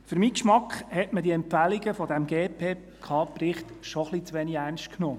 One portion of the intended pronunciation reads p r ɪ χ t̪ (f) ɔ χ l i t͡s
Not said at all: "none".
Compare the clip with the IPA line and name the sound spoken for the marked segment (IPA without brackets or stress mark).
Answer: ʃ